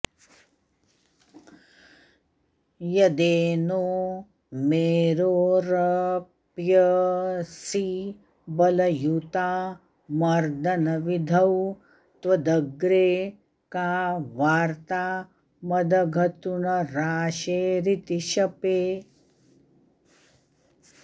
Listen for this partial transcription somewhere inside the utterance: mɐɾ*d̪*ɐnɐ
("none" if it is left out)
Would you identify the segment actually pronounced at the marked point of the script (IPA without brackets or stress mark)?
d̪